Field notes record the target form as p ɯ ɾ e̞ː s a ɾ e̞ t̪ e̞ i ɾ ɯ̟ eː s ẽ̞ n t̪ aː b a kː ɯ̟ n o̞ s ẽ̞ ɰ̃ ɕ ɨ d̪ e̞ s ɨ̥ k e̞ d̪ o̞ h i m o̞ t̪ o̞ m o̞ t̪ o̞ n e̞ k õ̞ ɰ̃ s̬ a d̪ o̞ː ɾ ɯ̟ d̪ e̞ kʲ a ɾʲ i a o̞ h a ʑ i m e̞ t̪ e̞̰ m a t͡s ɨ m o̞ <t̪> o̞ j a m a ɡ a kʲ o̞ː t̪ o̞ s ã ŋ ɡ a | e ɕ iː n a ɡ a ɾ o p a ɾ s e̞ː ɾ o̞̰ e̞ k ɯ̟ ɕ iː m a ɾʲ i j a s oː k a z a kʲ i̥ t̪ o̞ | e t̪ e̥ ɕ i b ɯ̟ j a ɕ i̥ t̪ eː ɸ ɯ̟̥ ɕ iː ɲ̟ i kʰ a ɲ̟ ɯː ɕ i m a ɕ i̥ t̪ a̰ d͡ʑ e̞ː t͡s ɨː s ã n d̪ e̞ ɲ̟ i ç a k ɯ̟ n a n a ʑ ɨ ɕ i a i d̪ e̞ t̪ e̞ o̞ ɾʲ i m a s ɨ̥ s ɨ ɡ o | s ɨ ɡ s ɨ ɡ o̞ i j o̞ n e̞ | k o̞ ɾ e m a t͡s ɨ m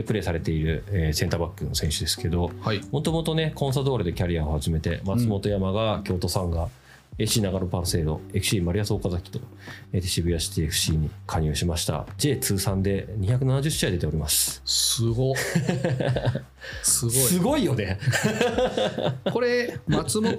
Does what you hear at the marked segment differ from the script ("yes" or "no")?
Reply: no